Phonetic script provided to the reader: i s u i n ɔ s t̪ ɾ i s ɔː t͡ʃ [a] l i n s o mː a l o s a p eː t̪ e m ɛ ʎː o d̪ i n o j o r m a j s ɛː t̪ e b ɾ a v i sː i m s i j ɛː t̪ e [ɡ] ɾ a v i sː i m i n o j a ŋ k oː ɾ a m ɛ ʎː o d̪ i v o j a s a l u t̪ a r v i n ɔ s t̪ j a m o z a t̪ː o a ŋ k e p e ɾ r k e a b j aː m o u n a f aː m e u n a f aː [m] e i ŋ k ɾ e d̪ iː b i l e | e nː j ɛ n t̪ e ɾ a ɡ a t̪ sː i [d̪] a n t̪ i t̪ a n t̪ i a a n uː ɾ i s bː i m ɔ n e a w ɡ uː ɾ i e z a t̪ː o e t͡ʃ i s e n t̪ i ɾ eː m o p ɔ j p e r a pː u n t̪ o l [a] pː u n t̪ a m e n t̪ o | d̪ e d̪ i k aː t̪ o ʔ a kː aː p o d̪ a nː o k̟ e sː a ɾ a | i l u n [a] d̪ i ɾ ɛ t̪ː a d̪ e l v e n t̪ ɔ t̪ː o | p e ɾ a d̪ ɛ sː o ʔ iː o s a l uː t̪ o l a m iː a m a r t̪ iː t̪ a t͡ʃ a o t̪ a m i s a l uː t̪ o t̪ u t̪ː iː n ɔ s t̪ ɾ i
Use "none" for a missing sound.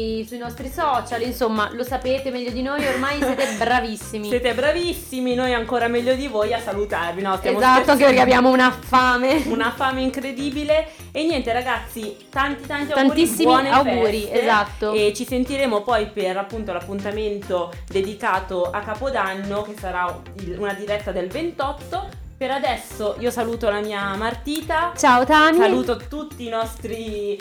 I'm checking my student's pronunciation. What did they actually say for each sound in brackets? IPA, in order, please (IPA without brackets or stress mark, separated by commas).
a, b, m, t̪, a, a